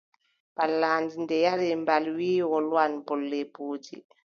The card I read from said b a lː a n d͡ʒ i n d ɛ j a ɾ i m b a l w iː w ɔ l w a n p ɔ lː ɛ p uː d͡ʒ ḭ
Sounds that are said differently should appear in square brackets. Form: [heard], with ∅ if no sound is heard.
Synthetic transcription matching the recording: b a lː a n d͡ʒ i n d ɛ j a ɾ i m b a l w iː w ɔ l w a n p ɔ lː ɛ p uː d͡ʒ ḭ